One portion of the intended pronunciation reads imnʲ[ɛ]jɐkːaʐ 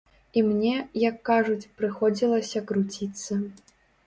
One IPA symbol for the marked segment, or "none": ɛ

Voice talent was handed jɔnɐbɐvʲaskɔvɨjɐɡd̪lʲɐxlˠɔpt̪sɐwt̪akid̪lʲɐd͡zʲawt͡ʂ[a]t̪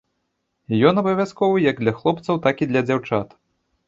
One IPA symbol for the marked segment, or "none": a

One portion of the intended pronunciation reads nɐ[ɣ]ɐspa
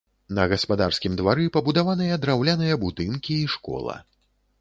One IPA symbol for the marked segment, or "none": ɣ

